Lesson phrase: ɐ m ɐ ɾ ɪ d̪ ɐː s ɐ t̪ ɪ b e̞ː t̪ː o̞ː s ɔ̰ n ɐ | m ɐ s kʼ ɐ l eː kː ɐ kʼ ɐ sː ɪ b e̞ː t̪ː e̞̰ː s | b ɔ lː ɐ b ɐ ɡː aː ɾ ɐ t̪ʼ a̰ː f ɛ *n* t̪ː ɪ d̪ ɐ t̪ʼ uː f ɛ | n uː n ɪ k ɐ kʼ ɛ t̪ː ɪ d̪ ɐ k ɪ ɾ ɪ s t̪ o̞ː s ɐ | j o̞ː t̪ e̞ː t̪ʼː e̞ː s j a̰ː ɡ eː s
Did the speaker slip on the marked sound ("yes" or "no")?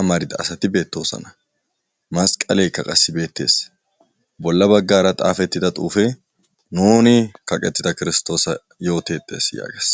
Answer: yes